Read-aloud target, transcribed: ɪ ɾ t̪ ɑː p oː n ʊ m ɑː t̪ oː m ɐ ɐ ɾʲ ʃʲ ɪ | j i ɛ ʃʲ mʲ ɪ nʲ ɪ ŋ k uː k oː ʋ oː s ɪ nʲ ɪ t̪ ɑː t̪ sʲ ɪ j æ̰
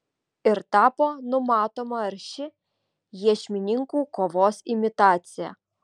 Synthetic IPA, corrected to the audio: ɪ ɾ t̪ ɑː p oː n ʊ m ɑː t̪ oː m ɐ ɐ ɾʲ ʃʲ ɪ | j i ɛ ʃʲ mʲ ɪ nʲ ɪ ŋ k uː k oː ʋ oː s ɪ mʲ ɪ t̪ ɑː t̪ sʲ ɪ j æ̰